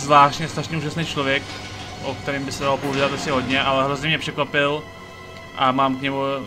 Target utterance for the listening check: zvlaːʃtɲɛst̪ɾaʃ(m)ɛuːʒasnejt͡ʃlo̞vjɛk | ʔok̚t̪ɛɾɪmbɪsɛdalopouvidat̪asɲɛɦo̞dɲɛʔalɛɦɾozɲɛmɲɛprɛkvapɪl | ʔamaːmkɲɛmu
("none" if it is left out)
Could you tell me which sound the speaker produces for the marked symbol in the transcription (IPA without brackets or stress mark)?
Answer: ɲ